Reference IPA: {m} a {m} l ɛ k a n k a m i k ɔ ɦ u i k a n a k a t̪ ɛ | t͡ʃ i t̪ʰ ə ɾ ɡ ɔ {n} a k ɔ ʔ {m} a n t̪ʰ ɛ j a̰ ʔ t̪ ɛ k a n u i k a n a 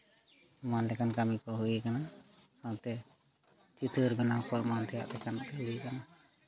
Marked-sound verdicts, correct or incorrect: correct, incorrect, correct, correct

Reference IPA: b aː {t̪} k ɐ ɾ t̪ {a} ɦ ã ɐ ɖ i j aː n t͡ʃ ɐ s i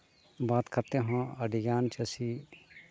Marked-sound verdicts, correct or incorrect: correct, incorrect

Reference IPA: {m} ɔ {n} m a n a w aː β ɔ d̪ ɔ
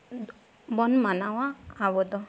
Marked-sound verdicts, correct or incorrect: incorrect, correct

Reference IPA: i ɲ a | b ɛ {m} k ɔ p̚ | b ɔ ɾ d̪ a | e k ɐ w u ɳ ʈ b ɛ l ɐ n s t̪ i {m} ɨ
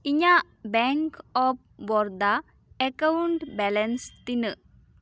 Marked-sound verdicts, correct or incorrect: incorrect, incorrect

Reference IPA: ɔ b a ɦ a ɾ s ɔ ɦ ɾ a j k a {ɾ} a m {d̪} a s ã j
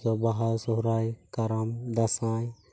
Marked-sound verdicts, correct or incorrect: correct, correct

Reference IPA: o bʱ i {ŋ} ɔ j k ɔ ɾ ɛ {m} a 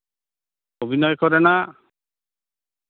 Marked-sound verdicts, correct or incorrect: incorrect, incorrect

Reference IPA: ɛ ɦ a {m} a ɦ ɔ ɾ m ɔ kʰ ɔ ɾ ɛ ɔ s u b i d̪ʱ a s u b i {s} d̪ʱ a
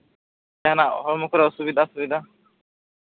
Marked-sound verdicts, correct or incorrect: incorrect, incorrect

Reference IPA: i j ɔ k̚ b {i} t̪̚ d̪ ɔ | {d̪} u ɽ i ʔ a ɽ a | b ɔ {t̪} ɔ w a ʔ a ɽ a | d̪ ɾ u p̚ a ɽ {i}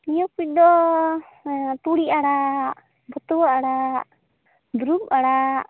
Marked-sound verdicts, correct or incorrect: correct, incorrect, correct, incorrect

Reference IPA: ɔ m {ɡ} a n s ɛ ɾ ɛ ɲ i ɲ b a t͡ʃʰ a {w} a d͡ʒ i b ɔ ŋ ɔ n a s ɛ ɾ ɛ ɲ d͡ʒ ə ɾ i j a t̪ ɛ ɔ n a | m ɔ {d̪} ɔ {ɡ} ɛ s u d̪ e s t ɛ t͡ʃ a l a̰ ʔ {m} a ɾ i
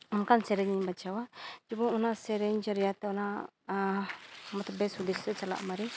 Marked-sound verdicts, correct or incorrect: incorrect, correct, incorrect, incorrect, correct

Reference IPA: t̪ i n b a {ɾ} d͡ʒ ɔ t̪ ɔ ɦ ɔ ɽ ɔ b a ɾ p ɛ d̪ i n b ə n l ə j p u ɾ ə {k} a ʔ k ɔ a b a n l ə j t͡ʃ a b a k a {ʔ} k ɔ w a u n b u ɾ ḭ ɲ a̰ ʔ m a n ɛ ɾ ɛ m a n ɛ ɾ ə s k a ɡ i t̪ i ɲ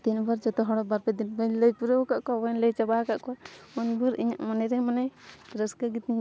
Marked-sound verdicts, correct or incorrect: correct, correct, correct

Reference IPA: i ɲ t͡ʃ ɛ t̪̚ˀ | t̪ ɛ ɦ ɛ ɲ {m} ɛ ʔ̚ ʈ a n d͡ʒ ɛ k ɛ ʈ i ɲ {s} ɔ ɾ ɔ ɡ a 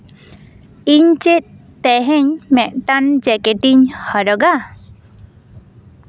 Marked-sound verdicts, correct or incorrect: correct, incorrect

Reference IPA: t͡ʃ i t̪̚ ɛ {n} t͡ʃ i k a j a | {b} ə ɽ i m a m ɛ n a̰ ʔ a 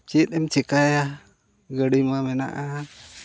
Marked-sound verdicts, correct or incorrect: incorrect, incorrect

